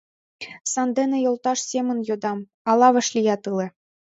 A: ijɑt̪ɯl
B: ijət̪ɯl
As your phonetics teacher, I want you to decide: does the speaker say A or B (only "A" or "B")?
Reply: A